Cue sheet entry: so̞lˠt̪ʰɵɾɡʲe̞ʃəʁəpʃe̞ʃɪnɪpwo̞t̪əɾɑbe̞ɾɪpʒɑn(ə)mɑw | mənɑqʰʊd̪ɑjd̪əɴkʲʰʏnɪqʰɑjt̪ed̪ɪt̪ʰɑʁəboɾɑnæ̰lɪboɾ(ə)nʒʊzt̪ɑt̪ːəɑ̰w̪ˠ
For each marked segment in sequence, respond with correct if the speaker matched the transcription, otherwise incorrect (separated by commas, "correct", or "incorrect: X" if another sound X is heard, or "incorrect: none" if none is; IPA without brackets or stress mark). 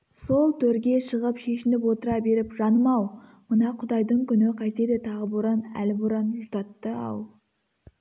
correct, incorrect: ɑ